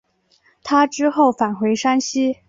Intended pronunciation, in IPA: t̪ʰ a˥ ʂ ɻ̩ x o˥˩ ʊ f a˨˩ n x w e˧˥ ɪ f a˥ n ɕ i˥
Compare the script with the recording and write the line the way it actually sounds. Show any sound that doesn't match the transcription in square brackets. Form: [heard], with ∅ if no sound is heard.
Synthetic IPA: t̪ʰ a˥ [ʈ͡ʂ] ɻ̩ x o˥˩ ʊ f a˨˩ n x w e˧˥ ɪ [ʂ] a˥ n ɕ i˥